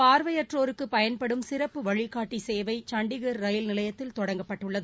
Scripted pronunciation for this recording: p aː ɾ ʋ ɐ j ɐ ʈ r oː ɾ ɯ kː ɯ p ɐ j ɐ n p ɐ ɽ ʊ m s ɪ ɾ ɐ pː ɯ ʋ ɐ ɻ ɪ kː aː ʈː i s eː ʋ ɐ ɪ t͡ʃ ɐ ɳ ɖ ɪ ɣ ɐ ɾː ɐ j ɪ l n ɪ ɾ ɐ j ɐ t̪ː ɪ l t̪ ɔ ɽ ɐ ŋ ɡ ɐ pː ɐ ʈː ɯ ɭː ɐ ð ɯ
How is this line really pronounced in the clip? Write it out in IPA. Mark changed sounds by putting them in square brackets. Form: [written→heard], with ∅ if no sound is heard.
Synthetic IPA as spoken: p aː ɾ ʋ ɐ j ɐ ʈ r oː ɾ ɯ kː ɯ p ɐ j ɐ n p ɐ ɽ [ʊ→ɯ] m s ɪ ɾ ɐ pː ɯ ʋ ɐ ɻ ɪ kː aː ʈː i s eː ʋ ɐ ɪ t͡ʃ ɐ ɳ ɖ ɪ ɣ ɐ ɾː ɐ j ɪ l n ɪ [ɾ→l] ɐ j ɐ t̪ː ɪ l t̪ ɔ ɽ ɐ ŋ ɡ ɐ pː ɐ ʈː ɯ ɭː ɐ ð ɯ